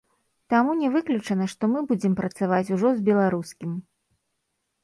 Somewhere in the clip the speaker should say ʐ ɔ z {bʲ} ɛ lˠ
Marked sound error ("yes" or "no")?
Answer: no